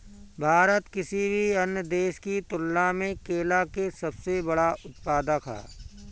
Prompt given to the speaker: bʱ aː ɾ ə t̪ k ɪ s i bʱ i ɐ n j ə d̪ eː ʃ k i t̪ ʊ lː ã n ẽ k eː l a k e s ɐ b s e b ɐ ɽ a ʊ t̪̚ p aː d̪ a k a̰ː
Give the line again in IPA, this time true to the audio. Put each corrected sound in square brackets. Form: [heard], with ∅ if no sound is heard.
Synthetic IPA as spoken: bʱ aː ɾ ə t̪ k ɪ s i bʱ i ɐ n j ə d̪ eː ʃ k i t̪ ʊ lː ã [m] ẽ k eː l a k e s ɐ b s e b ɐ ɽ a ʊ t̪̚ p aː d̪ a k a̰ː